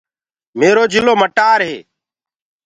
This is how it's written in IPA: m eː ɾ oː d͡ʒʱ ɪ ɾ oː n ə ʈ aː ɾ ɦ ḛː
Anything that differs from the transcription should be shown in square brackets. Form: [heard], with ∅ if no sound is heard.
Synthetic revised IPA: m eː ɾ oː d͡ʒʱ ɪ [l] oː [m] ə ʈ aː ɾ ɦ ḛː